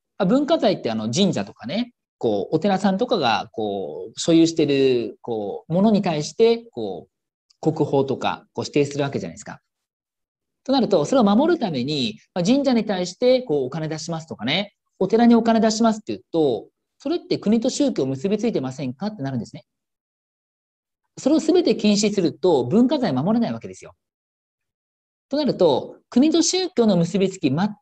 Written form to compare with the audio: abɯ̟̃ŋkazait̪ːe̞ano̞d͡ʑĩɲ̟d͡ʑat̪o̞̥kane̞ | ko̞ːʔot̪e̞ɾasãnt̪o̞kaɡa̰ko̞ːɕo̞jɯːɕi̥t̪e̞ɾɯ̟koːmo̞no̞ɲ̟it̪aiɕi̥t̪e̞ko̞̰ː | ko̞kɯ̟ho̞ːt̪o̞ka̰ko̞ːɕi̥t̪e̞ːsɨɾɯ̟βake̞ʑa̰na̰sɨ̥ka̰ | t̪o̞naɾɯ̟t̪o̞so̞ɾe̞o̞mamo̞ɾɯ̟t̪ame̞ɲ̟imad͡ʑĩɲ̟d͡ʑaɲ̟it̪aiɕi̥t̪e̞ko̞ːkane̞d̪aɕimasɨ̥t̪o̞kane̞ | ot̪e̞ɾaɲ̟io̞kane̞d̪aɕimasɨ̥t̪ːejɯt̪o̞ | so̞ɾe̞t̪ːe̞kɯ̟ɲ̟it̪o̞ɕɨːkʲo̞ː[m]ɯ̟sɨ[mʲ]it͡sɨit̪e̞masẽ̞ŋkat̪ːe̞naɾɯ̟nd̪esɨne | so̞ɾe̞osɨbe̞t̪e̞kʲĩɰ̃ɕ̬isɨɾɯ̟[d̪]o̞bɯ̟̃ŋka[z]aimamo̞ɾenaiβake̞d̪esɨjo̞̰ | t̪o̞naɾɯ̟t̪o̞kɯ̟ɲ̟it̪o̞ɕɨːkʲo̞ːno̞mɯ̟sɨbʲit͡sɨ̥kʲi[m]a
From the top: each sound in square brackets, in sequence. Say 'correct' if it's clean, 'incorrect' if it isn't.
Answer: correct, incorrect, incorrect, correct, correct

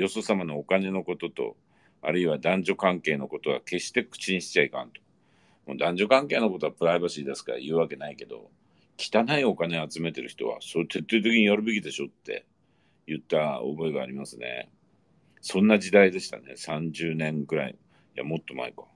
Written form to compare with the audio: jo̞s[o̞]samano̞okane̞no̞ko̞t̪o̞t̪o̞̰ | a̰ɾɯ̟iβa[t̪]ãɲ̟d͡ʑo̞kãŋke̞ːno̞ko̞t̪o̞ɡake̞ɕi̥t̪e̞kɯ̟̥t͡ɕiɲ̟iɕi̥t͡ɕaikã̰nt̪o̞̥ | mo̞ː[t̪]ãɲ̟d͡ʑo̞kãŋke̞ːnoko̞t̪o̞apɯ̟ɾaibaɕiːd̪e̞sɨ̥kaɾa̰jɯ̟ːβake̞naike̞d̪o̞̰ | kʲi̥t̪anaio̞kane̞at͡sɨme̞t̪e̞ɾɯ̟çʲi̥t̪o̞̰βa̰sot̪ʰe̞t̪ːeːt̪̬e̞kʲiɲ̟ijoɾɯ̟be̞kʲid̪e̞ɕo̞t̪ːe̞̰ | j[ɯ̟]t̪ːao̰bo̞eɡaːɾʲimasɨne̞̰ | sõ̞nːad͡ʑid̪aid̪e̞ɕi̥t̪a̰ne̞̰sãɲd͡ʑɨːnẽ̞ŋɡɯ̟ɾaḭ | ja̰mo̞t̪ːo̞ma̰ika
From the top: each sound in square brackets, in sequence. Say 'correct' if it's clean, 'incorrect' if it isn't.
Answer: correct, incorrect, incorrect, correct

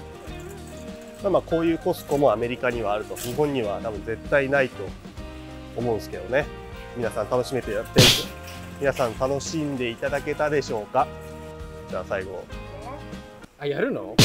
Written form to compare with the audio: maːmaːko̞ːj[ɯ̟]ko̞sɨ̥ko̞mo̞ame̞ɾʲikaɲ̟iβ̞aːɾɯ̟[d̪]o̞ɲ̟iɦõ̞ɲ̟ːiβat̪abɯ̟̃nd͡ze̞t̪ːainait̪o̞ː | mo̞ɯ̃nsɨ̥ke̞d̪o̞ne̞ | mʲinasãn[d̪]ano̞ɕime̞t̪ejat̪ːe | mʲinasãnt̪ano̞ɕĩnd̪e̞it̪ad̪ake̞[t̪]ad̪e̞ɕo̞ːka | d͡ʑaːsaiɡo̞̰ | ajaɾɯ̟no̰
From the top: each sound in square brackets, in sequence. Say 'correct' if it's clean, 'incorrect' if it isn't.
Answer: incorrect, incorrect, incorrect, correct

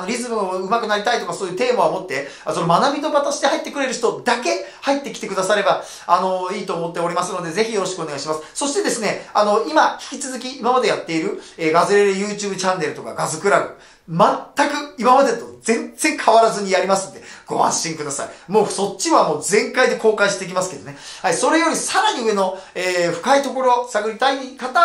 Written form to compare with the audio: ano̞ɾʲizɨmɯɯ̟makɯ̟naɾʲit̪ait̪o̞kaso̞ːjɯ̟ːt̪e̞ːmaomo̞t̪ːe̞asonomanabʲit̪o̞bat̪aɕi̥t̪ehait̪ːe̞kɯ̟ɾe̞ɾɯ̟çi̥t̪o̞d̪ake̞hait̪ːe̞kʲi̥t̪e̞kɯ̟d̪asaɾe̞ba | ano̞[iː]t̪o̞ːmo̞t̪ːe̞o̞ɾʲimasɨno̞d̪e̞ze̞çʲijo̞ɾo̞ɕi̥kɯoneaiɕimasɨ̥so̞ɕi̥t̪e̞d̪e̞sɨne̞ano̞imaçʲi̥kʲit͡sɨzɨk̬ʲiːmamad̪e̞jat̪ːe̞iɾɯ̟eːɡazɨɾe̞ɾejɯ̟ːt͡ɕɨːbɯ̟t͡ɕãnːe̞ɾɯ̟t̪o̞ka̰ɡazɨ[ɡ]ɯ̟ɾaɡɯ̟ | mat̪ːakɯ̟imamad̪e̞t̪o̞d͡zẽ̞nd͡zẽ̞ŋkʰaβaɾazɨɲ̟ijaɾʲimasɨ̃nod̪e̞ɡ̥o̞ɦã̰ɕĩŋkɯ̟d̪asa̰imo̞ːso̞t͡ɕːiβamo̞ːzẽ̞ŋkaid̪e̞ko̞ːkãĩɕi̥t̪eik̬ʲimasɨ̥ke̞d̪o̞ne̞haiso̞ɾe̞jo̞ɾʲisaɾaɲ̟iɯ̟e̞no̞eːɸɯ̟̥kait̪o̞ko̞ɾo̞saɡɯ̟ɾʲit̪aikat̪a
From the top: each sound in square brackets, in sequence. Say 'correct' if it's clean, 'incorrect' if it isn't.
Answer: correct, incorrect

